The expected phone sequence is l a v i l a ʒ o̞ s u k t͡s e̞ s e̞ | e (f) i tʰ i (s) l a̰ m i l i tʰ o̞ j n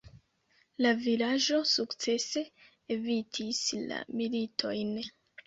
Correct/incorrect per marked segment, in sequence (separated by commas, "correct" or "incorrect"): incorrect, correct